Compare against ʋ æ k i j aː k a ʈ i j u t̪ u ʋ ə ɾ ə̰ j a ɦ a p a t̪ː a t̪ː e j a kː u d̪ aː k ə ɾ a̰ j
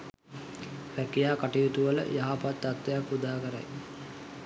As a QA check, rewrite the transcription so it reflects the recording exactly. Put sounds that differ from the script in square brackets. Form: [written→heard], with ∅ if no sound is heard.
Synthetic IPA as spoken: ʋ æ k i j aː k a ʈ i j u t̪ u ʋ ə [ɾ→l] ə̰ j a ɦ a p a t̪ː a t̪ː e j a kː u d̪ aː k ə ɾ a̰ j